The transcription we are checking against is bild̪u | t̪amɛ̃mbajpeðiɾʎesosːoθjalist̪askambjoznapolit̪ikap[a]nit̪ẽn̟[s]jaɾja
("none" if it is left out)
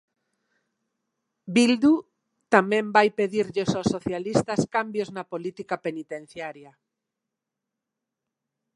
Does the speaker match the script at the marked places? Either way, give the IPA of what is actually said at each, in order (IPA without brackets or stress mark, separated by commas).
e, θ